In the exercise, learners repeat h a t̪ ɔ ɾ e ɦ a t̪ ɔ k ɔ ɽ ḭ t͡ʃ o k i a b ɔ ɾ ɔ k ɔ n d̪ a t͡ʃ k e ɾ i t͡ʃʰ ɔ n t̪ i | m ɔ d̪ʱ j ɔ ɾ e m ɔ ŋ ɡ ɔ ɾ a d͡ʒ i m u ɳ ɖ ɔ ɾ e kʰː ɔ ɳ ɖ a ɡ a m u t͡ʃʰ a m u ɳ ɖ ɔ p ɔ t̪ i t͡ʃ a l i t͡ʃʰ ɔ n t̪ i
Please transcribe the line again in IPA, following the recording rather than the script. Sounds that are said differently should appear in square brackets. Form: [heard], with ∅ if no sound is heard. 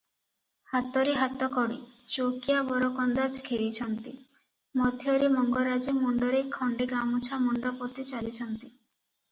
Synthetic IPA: h a t̪ ɔ ɾ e ɦ a t̪ ɔ k ɔ ɽ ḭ t͡ʃ o k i a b ɔ ɾ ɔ k ɔ n d̪ a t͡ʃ [kʰ] e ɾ i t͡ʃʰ ɔ n t̪ i | m ɔ d̪ʱ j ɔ ɾ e m ɔ ŋ ɡ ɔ ɾ a d͡ʒ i m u ɳ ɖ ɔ ɾ e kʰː ɔ ɳ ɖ [e] ɡ a m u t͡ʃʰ a m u ɳ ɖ ɔ p ɔ t̪ i t͡ʃ a l i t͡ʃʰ ɔ n t̪ i